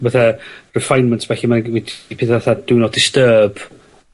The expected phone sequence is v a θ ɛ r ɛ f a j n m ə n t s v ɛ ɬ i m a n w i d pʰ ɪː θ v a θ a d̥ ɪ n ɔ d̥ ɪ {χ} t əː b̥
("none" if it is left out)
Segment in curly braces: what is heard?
s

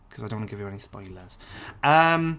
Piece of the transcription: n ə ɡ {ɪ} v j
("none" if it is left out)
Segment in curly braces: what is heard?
ɪ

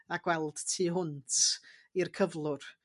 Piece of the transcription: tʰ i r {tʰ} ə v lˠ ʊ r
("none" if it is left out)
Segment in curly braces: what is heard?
kʰ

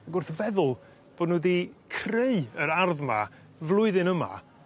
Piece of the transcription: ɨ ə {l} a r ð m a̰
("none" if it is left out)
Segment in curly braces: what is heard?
ɾ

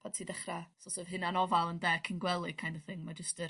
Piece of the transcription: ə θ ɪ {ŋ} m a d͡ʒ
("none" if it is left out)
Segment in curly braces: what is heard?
ŋ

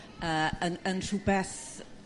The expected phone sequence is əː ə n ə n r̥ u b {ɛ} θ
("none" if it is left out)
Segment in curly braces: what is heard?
ɛ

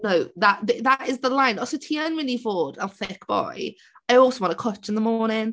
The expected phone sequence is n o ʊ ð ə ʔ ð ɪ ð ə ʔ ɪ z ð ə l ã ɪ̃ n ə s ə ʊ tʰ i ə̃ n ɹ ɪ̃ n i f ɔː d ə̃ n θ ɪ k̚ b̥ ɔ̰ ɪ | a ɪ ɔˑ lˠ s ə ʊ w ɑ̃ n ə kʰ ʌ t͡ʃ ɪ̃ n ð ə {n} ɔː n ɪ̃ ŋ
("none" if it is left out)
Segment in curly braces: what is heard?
m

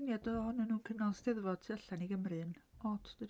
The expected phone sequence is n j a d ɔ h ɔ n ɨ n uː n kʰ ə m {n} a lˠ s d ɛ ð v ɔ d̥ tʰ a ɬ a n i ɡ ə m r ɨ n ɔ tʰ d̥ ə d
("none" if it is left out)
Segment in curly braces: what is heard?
n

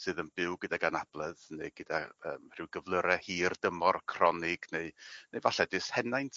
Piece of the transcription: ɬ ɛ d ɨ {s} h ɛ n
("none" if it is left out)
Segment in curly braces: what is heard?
s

